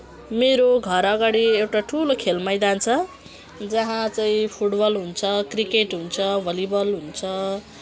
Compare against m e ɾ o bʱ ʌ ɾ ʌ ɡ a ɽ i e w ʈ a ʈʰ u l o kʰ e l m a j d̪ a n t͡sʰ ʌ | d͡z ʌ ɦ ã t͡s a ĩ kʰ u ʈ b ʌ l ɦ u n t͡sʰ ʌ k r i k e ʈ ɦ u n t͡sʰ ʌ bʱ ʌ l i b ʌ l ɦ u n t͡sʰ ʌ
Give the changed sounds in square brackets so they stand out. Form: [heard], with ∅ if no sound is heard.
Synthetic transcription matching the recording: m e ɾ o [ɡʱ] ʌ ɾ ʌ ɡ a ɽ i e w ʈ a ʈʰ u l o kʰ e l m a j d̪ a n t͡sʰ ʌ | d͡z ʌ ɦ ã t͡s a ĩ [pʰ] u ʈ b ʌ l ɦ u n t͡sʰ ʌ k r i k e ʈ ɦ u n t͡sʰ ʌ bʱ ʌ l i b ʌ l ɦ u n t͡sʰ ʌ